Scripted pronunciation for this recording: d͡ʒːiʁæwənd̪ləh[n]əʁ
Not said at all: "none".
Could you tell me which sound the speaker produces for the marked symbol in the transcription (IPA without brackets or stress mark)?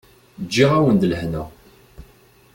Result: n